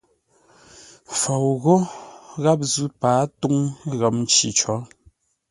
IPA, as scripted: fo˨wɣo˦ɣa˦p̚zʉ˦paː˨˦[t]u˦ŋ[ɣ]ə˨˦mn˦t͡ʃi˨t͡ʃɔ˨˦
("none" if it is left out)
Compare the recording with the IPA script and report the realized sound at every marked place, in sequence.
t, ɣ

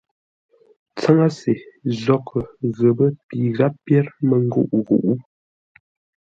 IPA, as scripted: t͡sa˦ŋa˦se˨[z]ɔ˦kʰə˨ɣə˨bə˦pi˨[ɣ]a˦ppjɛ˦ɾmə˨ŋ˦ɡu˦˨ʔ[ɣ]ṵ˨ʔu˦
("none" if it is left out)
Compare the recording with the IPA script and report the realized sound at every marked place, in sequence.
z, ɣ, ɣ

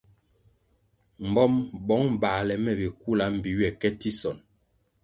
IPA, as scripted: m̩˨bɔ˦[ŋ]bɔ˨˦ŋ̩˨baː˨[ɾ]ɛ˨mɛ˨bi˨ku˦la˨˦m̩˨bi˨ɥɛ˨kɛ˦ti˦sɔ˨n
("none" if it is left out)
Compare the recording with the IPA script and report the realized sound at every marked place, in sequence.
m, l

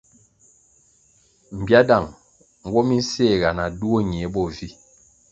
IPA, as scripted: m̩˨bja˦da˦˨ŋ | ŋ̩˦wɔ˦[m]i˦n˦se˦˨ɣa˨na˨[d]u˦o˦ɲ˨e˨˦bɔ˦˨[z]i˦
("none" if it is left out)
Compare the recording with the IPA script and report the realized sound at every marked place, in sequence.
m, d, v

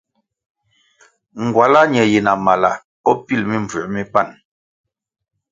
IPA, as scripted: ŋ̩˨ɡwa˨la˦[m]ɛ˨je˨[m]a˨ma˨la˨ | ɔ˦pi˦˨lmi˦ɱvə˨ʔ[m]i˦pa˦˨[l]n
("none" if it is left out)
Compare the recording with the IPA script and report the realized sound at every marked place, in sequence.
ɲ, n, m, none

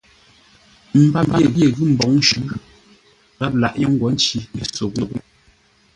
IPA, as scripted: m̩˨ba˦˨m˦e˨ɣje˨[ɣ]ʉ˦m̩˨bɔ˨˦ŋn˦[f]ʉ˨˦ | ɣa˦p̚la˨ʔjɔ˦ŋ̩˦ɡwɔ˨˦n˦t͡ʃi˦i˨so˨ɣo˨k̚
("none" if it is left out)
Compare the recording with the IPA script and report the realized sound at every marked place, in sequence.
ɣ, ʃ

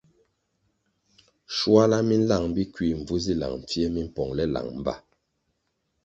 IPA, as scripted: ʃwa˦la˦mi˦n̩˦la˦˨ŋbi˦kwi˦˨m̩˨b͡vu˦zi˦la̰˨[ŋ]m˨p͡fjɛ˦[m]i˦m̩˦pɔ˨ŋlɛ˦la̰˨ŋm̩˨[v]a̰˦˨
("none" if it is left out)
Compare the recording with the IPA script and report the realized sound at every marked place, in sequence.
ŋ, m, b

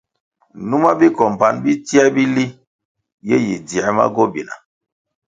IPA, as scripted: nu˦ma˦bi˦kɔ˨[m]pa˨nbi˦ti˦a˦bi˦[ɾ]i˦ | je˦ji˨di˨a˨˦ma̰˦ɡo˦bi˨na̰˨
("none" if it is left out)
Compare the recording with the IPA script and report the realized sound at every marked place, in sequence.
m, l

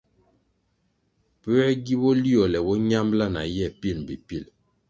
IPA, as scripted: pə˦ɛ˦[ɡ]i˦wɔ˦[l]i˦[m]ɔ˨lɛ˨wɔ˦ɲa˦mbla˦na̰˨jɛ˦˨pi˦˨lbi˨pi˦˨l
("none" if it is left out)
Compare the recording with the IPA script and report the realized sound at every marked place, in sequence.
ɡ, l, none

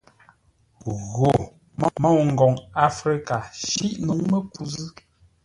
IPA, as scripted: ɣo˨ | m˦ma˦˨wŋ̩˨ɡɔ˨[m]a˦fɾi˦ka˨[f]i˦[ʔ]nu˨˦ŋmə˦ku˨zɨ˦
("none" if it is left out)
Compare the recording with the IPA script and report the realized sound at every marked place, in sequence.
ŋ, ʃ, ʔ

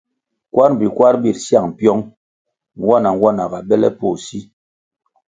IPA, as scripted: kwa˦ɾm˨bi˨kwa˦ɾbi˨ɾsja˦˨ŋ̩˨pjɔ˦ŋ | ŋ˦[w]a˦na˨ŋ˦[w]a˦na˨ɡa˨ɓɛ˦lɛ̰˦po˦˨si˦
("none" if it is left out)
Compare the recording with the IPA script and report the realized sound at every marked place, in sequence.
w, w

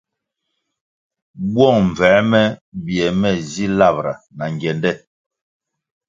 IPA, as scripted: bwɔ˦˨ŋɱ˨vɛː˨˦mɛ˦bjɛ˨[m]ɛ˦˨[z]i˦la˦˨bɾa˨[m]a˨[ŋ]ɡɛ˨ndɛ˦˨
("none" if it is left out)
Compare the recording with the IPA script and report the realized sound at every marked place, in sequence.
m, z, n, ŋ

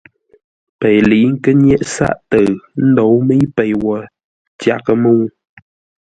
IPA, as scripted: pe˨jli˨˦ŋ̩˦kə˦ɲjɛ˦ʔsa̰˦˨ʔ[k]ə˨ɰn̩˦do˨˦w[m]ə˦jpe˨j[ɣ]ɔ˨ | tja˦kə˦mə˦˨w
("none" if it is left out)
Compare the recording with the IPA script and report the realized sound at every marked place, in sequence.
t, m, w

